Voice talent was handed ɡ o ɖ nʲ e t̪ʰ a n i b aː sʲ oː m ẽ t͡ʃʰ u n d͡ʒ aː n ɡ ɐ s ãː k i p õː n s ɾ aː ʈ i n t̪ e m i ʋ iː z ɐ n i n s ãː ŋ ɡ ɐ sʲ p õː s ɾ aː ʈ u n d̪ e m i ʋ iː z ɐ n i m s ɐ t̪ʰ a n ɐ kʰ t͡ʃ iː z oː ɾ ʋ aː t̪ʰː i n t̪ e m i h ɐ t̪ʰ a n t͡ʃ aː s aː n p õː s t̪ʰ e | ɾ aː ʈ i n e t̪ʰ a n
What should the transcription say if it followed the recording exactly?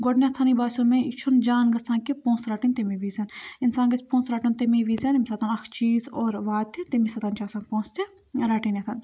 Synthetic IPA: ɡ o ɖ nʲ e t̪ʰ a n i b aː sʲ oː m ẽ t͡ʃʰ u n d͡ʒ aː n ɡ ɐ s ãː k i p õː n s ɾ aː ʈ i n t̪ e m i ʋ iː z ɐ n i n s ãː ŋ ɡ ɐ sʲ p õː s ɾ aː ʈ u n t̪ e m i ʋ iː z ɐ n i m s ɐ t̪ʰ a n ɐ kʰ t͡ʃ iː z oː ɾ ʋ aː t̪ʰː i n t̪ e m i s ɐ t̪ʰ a n t͡ʃ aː s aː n p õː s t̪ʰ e | ɾ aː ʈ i n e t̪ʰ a n

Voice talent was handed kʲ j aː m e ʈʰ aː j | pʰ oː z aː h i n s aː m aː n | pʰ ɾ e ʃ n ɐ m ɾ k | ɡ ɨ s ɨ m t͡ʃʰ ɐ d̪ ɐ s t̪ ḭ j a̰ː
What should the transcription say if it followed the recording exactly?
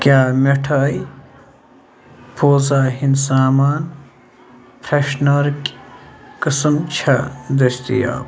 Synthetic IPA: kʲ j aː m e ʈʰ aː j | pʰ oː z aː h i n s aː m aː n | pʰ ɾ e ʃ n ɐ ɾ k | k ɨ s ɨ m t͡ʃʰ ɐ d̪ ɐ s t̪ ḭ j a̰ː

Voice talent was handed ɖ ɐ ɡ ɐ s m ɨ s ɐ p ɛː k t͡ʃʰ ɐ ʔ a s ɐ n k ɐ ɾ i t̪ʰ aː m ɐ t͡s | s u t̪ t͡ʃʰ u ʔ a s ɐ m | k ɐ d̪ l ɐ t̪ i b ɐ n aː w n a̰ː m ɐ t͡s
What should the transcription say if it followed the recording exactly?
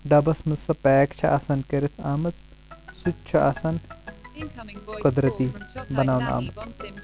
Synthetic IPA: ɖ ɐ b ɐ s m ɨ s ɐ p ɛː k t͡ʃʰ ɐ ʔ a s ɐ n k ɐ ɾ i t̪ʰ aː m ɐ t͡s | s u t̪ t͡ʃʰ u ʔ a s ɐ n | k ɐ d̪ ɾ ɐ t̪ i b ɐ n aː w n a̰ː m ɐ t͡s

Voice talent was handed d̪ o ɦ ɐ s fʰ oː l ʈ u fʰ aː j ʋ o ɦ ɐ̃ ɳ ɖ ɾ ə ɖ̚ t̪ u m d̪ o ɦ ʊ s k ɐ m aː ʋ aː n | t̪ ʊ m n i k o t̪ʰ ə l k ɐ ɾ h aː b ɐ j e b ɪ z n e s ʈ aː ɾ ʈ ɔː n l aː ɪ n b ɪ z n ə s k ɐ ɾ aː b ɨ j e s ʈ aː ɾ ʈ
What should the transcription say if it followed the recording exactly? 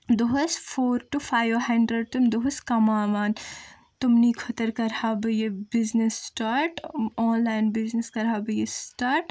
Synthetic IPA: d̪ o ɦ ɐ s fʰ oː ɾ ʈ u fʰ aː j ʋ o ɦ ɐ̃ ɳ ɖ ɾ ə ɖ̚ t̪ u m d̪ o ɦ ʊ s k ɐ m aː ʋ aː n | t̪ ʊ m n i kʰ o t̪ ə ɾ k ɐ ɾ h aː b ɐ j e b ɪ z n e s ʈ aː ɾ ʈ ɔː n l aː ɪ n b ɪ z n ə s k ɐ ɾ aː b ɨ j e s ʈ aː ɾ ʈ

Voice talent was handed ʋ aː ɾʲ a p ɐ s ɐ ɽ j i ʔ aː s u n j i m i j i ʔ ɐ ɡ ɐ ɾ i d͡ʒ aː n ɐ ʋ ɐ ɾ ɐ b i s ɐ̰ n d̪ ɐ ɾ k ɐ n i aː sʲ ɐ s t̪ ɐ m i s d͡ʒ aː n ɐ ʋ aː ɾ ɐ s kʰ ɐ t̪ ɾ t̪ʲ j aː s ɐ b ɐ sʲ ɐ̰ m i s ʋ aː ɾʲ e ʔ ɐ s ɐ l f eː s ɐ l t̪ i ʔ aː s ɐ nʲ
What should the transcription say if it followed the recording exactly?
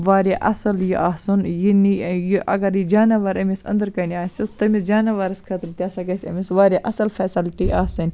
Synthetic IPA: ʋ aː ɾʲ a ʔ ɐ s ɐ l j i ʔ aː s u n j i n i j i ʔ ɐ ɡ ɐ ɾ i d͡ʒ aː n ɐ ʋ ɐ ɾ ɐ m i s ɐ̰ n d̪ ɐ ɾ k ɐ n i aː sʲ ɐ s t̪ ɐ m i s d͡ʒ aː n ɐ ʋ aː ɾ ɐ s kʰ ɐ t̪ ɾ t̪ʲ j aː s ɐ ɡ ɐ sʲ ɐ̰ m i s ʋ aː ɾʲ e ʔ ɐ s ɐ l f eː s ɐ l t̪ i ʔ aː s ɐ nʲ

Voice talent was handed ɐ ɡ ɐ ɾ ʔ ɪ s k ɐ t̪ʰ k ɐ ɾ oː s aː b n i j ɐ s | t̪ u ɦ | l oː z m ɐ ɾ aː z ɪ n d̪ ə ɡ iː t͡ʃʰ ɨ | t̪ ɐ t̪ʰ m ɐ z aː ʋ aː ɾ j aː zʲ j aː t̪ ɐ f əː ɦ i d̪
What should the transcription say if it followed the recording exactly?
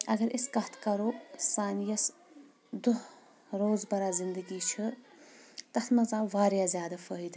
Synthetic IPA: ɐ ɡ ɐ ɾ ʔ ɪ s k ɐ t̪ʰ k ɐ ɾ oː s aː n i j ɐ s | d̪ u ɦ | ɾ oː z b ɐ ɾ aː z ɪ n d̪ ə ɡ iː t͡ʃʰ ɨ | t̪ ɐ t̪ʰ m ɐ z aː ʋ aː ɾ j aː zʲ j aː d̪ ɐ f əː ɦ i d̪

